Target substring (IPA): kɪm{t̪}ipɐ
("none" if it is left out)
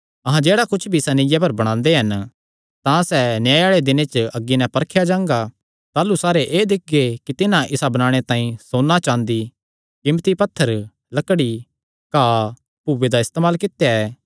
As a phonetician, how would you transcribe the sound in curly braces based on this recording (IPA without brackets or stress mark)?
t̪